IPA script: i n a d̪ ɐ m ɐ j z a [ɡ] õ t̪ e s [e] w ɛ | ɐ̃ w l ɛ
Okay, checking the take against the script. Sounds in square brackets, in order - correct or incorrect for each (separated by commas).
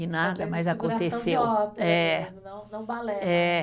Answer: incorrect, correct